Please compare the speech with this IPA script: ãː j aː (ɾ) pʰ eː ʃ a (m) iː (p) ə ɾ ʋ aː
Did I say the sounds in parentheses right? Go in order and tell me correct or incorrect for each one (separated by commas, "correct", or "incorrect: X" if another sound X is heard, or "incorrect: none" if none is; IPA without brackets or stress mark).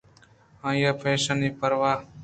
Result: incorrect: none, incorrect: n, correct